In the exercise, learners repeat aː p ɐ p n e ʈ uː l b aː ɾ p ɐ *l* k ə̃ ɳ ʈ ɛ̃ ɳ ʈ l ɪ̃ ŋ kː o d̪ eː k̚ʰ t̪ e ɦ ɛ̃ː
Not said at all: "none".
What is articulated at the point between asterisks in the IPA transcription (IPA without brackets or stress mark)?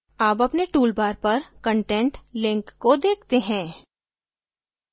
ɾ